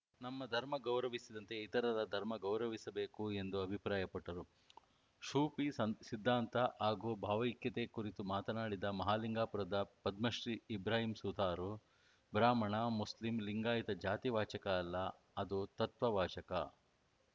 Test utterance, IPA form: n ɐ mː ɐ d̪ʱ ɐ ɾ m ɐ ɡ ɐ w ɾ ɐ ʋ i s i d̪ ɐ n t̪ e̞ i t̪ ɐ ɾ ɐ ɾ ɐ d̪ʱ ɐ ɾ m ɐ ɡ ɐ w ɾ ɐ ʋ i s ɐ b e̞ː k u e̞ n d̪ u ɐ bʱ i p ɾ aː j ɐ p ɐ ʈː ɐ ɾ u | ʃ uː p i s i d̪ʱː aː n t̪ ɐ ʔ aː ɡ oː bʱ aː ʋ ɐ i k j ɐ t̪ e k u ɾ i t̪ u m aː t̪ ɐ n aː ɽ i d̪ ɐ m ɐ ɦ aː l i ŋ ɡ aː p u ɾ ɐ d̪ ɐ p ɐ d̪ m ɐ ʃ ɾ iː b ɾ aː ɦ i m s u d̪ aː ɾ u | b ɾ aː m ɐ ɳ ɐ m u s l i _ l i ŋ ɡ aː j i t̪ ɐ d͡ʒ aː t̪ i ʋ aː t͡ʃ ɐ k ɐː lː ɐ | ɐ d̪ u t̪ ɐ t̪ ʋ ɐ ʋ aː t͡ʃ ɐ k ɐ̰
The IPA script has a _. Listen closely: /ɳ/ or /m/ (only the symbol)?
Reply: m